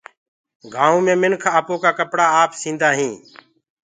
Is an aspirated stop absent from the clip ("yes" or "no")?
no